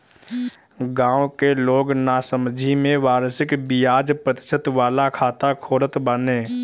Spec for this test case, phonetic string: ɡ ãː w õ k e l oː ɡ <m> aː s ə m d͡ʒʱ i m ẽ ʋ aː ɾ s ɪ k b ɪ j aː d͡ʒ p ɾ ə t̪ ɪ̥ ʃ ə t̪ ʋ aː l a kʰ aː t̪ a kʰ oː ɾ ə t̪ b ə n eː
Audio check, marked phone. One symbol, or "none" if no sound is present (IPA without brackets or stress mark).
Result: n